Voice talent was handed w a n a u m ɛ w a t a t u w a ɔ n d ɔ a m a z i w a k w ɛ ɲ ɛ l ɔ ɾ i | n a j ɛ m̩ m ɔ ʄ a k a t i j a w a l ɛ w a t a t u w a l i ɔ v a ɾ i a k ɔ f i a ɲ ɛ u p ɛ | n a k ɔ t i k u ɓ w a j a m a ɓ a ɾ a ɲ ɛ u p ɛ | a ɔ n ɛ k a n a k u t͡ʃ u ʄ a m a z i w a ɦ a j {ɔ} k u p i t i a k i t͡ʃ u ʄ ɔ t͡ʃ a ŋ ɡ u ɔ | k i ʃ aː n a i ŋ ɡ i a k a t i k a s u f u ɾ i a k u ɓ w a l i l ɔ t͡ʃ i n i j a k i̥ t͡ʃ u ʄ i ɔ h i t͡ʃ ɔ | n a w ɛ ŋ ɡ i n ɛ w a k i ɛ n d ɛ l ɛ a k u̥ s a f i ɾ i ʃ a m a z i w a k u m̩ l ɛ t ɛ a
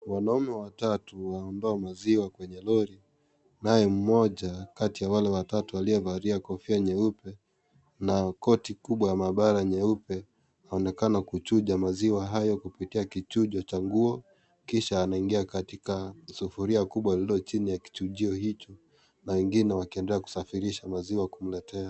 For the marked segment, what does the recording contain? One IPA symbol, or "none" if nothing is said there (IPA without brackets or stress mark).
ɔ